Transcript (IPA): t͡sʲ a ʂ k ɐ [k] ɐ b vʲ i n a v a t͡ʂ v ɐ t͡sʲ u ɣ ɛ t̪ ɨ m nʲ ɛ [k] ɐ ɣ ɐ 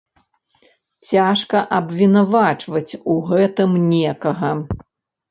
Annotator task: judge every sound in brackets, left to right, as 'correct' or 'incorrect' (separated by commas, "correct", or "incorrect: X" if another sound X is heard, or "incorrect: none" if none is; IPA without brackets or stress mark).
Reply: incorrect: ʔ, correct